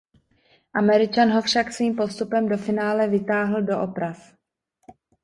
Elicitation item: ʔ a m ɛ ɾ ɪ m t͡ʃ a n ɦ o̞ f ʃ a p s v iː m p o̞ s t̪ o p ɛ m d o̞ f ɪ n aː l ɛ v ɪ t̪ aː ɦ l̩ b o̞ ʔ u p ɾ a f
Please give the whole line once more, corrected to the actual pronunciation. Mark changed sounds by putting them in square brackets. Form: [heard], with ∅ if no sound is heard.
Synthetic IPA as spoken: ʔ a m ɛ ɾ ɪ [∅] t͡ʃ a n ɦ o̞ f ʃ a [k] s v iː m p o̞ s t̪ [u] p ɛ m d o̞ f ɪ n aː l ɛ v ɪ t̪ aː ɦ l̩ [d] o̞ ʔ [o] p ɾ a f